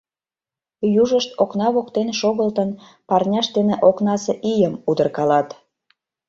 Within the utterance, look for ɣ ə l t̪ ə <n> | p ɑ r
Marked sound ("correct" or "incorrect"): correct